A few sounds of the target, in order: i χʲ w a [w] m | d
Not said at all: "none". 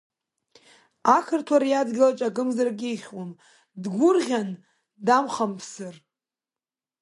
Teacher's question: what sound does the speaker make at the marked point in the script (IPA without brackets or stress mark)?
none